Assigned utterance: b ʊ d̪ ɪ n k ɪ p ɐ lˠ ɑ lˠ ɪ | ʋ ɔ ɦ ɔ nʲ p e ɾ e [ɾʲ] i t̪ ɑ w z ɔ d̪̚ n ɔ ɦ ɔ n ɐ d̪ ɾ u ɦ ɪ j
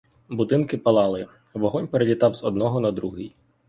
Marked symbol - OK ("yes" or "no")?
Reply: no